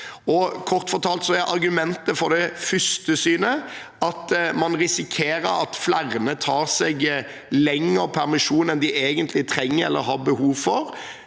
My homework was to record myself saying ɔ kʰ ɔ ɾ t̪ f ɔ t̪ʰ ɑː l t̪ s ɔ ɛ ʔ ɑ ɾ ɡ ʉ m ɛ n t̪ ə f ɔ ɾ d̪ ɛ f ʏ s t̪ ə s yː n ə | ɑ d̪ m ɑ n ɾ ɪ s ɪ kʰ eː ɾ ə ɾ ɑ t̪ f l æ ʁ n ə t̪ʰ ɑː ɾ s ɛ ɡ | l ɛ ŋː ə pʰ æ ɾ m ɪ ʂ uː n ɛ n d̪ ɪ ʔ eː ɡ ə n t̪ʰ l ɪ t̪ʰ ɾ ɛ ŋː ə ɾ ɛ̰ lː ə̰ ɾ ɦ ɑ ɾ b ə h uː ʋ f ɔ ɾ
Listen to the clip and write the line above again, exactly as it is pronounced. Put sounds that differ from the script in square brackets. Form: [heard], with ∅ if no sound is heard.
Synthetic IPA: ɔ kʰ ɔ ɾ t̪ f ɔ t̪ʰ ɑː l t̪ s ɔ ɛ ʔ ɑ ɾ ɡ ʉ m ɛ n t̪ ə f ɔ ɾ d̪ ɛ f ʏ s t̪ ə s yː n ə | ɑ [t̪] m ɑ n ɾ ɪ s ɪ kʰ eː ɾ ə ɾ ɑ t̪ f l æ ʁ n ə t̪ʰ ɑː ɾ s ɛ ɡ | l ɛ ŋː ə pʰ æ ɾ m ɪ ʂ uː n ɛ n d̪ ɪ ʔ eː ɡ ə n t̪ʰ l ɪ t̪ʰ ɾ ɛ ŋː ə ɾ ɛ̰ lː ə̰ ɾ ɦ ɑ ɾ b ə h uː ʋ f ɔ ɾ